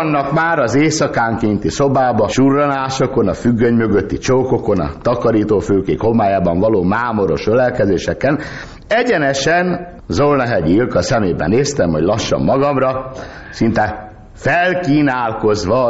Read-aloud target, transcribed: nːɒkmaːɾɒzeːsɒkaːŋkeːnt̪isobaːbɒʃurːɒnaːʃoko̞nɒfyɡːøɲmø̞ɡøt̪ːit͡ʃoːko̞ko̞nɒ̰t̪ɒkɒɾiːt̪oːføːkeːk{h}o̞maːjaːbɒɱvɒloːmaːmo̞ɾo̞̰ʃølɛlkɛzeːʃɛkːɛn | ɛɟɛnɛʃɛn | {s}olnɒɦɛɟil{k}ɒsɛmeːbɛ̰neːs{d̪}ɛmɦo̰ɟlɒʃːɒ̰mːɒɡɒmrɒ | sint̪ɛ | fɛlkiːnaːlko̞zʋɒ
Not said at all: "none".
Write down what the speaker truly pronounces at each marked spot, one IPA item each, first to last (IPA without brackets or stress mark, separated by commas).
h, z, k, t̪